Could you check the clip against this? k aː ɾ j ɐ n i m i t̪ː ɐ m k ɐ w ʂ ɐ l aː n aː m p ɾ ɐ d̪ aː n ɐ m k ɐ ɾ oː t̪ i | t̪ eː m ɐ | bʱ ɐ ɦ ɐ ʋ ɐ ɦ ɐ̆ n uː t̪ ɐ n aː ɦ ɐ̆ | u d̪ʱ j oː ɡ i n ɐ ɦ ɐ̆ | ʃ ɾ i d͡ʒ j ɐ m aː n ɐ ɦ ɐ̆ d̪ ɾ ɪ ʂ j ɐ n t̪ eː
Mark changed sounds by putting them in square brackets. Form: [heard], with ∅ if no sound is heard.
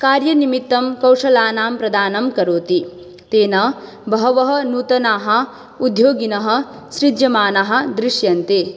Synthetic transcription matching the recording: k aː ɾ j ɐ n i m i t̪ː ɐ m k ɐ w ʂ ɐ l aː n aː m p ɾ ɐ d̪ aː n ɐ m k ɐ ɾ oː t̪ i | t̪ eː [n] ɐ | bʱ ɐ ɦ ɐ ʋ ɐ ɦ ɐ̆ n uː t̪ ɐ n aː ɦ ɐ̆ | u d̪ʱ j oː ɡ i n ɐ ɦ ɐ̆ | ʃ ɾ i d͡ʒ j ɐ m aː n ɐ ɦ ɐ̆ d̪ ɾ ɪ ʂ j ɐ n t̪ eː